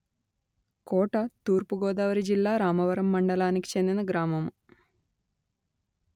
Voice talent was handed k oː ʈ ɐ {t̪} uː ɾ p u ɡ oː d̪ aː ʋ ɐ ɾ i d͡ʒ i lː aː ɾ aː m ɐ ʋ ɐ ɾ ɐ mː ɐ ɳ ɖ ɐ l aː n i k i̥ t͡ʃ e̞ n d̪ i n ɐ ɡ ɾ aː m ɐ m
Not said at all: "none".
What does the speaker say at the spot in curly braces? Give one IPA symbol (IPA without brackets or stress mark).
t̪